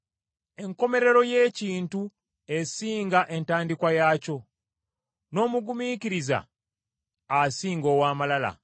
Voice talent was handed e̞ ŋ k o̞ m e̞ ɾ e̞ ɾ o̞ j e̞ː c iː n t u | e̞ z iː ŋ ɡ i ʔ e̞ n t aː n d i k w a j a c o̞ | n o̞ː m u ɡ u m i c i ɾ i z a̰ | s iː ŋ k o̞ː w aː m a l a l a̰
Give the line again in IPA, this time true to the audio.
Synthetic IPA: e̞ ŋ k o̞ m e̞ ɾ e̞ ɾ o̞ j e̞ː c iː n t u | e̞ s iː ŋ ɡ a ʔ e̞ n t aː n d i k w a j a c o̞ | n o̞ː m u ɡ u m i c i ɾ i z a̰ | s iː ŋ ɡ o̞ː w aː m a l a l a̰